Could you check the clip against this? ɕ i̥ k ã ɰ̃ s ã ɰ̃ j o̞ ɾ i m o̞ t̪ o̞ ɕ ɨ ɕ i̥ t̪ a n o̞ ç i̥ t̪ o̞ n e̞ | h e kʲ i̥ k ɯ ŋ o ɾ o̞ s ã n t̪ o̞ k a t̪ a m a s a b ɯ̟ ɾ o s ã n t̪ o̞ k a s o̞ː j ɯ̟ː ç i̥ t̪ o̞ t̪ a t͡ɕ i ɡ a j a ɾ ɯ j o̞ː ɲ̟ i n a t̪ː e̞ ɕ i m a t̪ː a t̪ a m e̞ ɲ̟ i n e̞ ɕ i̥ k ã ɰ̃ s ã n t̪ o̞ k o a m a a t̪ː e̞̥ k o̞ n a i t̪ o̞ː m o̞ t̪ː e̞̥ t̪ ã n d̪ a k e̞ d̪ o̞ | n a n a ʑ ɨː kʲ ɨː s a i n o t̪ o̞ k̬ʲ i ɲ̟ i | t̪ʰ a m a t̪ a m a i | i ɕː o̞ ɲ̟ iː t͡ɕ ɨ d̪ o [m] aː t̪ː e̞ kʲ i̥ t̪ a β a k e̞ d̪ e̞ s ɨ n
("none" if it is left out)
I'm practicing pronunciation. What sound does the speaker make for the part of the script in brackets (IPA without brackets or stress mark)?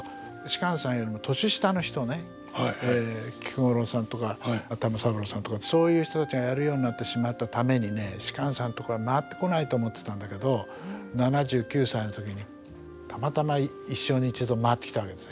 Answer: m